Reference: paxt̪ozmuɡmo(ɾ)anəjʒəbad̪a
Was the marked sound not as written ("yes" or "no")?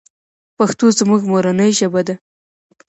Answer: no